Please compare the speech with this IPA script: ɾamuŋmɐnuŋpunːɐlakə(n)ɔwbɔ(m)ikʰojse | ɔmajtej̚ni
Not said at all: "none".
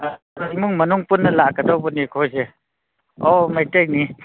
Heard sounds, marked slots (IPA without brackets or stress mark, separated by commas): d, n